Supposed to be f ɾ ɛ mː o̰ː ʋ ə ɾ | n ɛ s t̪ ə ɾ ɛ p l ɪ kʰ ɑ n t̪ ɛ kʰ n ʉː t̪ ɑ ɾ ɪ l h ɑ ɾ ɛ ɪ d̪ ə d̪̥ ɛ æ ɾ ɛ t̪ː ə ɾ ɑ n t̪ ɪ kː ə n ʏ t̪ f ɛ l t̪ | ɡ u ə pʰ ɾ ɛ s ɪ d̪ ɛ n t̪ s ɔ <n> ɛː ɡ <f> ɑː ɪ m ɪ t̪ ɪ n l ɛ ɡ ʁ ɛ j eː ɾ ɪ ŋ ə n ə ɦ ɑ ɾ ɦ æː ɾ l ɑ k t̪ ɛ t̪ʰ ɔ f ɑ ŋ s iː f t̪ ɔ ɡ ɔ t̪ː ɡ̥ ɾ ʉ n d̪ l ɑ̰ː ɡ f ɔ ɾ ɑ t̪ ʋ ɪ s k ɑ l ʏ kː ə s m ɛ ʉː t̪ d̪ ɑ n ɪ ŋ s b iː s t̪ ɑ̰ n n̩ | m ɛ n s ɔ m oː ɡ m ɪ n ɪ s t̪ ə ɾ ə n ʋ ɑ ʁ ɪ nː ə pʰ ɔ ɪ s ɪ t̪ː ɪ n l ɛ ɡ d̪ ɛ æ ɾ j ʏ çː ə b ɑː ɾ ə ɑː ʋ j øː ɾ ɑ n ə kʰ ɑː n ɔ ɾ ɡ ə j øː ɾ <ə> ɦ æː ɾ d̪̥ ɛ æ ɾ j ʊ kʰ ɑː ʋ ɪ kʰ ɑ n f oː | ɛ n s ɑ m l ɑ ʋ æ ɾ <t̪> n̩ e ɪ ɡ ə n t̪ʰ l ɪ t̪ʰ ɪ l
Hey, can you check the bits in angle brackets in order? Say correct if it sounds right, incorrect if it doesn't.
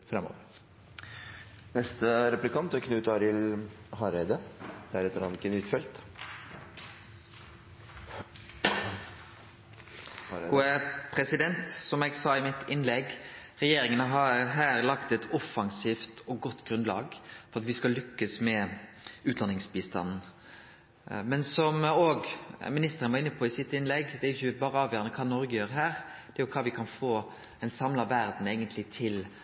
incorrect: m, incorrect: s, correct, incorrect: d̪

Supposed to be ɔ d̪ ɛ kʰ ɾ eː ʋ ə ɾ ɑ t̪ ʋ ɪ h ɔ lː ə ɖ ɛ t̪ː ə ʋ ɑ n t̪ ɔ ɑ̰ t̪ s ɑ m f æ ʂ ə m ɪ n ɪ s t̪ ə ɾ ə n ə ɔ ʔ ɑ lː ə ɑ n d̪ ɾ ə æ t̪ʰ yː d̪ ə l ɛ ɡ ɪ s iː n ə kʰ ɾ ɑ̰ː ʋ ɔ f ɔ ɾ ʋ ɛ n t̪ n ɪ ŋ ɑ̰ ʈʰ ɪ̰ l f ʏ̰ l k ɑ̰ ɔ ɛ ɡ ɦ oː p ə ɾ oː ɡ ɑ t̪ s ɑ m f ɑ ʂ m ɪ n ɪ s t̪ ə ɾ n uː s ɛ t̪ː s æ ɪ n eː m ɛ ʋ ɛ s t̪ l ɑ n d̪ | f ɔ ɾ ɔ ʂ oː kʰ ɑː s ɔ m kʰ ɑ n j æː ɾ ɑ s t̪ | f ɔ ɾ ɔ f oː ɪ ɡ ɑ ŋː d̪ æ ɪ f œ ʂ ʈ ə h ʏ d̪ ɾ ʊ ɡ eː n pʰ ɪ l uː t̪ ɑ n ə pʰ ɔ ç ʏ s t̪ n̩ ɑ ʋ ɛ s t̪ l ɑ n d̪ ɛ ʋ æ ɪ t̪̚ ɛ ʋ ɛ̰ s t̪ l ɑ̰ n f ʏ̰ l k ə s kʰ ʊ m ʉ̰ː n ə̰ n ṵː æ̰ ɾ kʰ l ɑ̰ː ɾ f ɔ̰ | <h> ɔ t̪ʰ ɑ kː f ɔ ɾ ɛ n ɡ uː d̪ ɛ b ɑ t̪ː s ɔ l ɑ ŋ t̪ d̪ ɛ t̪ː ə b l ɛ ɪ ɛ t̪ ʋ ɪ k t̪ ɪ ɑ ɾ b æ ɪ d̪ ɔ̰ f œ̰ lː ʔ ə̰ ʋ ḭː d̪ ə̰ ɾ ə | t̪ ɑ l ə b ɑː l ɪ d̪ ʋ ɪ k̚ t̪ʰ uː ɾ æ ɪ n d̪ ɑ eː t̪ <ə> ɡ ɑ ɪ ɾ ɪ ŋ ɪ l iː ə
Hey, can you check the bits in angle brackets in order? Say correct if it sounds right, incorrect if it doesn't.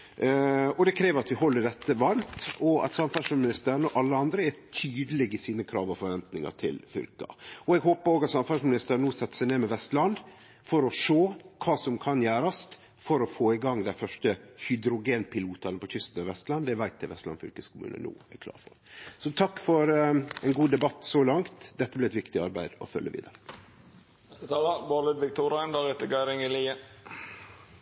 incorrect: s, correct

